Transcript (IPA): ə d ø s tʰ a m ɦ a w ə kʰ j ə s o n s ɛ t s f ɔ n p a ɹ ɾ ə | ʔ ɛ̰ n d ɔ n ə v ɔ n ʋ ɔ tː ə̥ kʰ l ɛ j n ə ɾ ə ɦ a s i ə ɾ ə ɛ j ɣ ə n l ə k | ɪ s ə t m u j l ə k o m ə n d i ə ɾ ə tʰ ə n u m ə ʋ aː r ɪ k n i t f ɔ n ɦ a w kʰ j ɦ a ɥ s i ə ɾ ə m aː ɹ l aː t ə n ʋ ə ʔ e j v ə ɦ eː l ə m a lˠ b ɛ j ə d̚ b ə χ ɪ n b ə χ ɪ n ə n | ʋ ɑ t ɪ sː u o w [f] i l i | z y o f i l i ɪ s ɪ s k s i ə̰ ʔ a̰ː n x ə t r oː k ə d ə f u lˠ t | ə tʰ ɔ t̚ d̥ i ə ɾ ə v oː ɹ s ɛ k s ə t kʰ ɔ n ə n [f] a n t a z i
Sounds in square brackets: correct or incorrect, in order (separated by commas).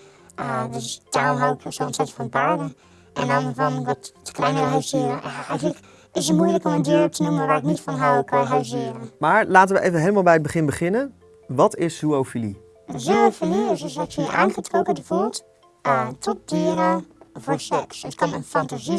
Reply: correct, correct